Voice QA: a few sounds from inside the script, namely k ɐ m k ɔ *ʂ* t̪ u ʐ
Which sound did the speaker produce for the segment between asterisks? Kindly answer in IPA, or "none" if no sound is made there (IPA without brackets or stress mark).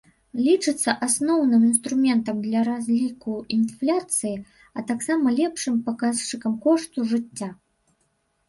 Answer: ʂ